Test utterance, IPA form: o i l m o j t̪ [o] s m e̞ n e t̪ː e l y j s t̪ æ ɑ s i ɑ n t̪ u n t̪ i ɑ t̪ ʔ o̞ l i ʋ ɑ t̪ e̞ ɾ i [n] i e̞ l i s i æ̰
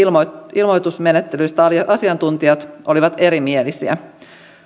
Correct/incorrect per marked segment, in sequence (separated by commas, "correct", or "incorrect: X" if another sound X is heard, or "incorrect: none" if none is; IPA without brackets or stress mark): incorrect: u, incorrect: m